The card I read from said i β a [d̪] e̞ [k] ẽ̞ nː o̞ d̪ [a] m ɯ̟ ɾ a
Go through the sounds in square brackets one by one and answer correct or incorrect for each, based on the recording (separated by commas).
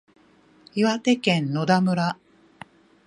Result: incorrect, correct, correct